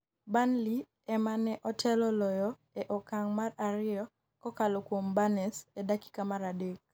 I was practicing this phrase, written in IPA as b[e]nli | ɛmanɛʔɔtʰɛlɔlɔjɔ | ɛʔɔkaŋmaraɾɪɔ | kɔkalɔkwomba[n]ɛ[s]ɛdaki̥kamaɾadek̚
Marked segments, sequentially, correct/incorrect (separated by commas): incorrect, correct, correct